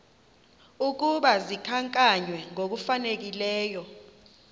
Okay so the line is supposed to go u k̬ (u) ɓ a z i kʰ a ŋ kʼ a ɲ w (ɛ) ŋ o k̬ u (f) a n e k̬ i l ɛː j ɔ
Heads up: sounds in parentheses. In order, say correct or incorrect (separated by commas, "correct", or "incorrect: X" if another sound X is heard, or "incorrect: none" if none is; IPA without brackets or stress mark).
correct, correct, correct